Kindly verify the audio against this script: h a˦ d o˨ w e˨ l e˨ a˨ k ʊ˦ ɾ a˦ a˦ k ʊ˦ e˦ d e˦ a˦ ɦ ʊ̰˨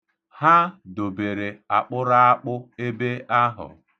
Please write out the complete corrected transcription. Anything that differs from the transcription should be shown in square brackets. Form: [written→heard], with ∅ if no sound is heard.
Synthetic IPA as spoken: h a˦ d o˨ [w→b] e˨ [l→ɾ] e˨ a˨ [k→k͡p] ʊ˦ ɾ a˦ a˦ [k→k͡p] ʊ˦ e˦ [d→b] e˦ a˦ ɦ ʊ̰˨